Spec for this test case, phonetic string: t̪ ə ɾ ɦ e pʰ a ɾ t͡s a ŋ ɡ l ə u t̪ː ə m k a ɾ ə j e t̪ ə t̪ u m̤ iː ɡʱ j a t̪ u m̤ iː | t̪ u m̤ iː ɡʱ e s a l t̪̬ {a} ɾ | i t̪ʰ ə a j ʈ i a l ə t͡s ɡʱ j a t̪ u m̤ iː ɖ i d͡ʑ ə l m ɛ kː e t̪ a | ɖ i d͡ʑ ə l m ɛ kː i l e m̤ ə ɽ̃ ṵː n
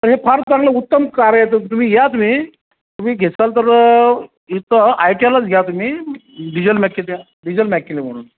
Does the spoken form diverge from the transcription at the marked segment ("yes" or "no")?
yes